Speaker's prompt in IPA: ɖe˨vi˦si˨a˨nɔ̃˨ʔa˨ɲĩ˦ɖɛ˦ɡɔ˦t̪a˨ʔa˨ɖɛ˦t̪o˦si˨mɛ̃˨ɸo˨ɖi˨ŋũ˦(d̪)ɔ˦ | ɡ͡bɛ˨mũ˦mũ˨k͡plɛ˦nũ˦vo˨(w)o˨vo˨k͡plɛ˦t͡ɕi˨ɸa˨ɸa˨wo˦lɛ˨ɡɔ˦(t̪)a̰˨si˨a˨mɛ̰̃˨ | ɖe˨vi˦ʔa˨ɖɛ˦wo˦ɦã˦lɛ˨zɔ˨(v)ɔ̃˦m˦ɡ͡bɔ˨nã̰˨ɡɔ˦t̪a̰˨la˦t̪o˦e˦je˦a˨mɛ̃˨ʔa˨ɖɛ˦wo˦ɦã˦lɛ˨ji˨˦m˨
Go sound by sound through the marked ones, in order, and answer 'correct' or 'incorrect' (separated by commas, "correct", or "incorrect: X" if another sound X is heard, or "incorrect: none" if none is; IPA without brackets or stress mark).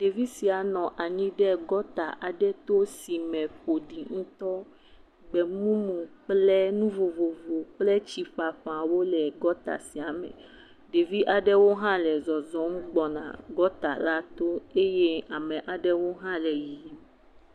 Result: incorrect: t̪, incorrect: v, correct, incorrect: z